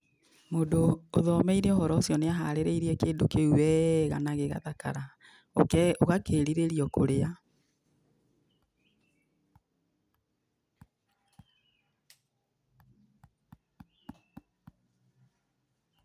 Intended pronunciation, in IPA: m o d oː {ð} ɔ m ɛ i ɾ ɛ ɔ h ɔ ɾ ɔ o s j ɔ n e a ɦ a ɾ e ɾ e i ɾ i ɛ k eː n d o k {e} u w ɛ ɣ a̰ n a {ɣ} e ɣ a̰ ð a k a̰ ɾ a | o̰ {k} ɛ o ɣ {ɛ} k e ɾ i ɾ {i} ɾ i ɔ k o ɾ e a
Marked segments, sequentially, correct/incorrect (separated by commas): correct, correct, correct, correct, incorrect, incorrect